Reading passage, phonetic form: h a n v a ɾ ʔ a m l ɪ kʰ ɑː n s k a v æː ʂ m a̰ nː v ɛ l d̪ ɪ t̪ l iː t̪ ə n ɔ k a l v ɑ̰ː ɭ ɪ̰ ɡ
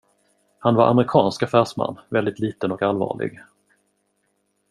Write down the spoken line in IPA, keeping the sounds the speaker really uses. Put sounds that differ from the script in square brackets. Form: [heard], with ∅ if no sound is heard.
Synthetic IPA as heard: h a n v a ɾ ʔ a m [ɾ] ɪ kʰ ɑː n s k a [f] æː ʂ m a̰ nː v ɛ l d̪ ɪ t̪ l iː t̪ ə n ɔ k a l v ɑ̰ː ɭ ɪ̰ ɡ